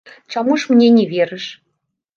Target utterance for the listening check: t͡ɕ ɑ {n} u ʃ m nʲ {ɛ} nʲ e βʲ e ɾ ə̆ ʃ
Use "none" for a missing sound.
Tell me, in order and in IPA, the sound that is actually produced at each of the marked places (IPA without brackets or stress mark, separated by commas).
m, e